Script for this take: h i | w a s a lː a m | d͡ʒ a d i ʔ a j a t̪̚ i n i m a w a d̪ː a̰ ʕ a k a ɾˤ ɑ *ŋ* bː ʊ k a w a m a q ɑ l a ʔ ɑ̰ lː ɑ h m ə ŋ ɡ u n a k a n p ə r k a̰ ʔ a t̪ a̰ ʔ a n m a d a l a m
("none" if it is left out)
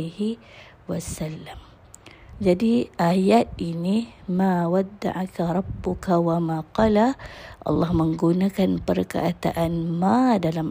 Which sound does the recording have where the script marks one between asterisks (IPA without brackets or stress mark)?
none